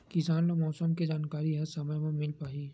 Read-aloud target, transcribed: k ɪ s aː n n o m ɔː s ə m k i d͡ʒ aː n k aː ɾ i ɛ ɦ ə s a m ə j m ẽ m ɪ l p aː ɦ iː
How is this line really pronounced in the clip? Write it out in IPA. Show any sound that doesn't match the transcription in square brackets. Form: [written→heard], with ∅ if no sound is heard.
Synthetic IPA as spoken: k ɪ s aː n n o m ɔː s ə m k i d͡ʒ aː n k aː ɾ i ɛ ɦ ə s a m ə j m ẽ m ɪ l p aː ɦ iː